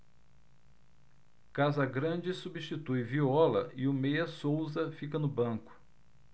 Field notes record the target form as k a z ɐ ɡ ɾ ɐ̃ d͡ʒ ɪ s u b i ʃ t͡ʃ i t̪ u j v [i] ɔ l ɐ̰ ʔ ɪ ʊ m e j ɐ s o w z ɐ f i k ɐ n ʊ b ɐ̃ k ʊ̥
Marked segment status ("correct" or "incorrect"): correct